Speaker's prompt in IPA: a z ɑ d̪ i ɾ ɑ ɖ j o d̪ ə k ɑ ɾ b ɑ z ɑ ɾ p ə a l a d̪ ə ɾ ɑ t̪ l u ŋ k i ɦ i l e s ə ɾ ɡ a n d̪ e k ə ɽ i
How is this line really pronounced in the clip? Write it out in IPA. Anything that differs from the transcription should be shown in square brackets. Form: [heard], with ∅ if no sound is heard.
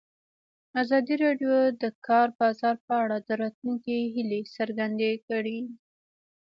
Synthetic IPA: a z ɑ d̪ i ɾ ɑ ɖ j o d̪ ə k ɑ ɾ b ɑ z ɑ ɾ p ə a [ɽ] a d̪ ə ɾ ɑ t̪ l u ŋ k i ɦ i l e s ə ɾ ɡ a n d̪ e k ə ɽ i